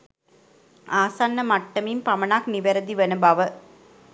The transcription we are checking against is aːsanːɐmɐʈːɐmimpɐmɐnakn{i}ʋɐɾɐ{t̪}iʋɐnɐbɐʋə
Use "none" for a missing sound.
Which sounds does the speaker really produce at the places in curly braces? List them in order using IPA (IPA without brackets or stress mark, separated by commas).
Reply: i, d̪